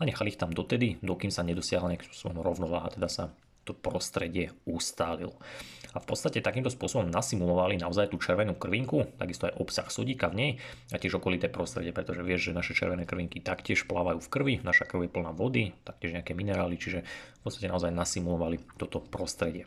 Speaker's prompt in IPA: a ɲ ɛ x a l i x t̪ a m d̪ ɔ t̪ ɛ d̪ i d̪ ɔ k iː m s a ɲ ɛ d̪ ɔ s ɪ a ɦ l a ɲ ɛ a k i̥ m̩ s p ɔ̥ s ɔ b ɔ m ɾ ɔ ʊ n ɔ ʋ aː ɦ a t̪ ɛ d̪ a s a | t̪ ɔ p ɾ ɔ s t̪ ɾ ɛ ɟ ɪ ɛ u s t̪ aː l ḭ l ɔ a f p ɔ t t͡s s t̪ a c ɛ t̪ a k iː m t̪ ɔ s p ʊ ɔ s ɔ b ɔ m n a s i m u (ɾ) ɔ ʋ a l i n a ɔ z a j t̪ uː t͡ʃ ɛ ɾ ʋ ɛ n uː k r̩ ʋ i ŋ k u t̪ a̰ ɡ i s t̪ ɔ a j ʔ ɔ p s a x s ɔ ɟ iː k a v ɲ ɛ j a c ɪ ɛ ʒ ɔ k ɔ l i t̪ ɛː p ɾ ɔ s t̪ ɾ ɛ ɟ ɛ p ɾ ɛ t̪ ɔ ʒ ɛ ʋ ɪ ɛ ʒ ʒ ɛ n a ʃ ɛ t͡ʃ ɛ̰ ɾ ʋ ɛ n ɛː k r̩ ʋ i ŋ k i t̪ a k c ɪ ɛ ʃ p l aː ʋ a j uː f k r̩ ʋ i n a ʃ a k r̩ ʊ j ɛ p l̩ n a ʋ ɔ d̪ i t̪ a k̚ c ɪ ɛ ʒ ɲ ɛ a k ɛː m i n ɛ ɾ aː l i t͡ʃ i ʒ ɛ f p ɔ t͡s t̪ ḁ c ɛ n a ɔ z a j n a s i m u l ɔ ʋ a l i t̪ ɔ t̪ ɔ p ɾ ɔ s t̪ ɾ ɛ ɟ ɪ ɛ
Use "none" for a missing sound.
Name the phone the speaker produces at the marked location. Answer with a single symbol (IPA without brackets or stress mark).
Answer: l